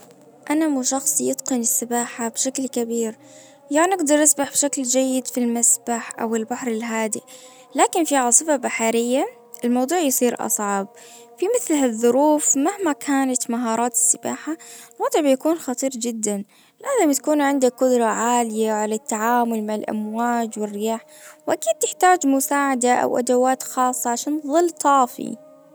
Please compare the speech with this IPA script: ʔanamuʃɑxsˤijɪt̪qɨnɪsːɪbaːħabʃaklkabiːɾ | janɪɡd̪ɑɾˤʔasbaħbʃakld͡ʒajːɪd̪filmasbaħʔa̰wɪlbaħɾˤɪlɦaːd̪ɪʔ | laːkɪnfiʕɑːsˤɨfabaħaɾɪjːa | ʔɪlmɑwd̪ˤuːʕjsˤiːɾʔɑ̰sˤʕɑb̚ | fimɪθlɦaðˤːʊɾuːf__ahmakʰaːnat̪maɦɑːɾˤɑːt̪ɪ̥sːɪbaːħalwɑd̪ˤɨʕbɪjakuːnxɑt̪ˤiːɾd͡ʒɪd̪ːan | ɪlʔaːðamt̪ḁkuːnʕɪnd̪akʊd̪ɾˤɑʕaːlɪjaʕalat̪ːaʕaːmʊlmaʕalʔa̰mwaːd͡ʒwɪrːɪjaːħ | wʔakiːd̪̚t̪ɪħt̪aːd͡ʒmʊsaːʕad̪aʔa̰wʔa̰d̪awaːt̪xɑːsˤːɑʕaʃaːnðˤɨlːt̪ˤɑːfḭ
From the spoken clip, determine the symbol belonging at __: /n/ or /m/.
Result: m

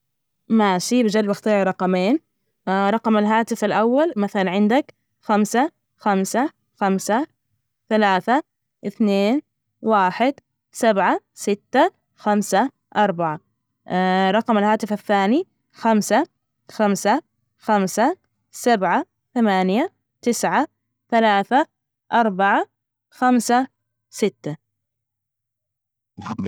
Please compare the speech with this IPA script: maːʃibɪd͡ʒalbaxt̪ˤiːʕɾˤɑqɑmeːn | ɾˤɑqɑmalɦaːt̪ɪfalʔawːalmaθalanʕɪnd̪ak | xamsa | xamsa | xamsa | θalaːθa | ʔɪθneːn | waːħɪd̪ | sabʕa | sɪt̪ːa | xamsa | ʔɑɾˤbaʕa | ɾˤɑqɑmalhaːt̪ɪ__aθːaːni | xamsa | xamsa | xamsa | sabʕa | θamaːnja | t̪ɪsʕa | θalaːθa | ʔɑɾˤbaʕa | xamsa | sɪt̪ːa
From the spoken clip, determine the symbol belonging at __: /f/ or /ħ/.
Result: f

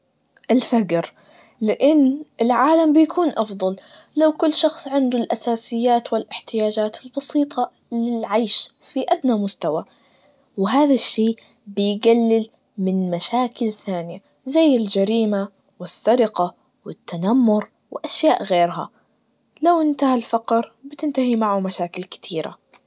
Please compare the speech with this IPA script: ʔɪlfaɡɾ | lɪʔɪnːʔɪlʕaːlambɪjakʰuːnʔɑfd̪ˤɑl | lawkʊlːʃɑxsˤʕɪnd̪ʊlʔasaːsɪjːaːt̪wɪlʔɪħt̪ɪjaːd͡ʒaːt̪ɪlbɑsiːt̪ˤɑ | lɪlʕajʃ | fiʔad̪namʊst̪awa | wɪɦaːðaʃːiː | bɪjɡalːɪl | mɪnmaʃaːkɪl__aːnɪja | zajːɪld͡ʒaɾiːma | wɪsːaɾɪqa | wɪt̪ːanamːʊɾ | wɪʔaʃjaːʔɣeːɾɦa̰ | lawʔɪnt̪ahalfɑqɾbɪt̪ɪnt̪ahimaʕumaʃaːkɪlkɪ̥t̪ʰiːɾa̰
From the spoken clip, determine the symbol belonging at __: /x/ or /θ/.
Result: θ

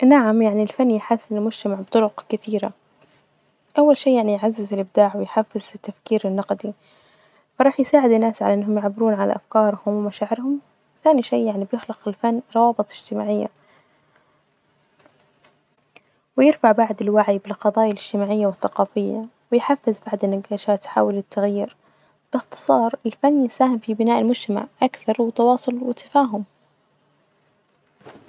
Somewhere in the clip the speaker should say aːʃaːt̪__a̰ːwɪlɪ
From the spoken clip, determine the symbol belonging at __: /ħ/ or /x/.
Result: ħ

